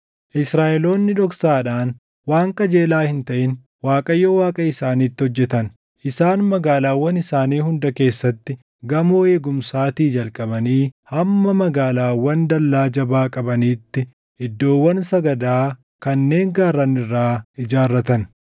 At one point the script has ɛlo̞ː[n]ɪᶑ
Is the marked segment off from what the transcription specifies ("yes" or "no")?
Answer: yes